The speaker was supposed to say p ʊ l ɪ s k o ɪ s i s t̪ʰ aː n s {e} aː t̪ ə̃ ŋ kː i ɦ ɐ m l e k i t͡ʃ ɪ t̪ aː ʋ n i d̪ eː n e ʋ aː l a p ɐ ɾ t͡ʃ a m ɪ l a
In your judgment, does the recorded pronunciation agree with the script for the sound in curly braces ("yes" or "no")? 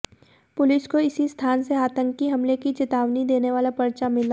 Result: yes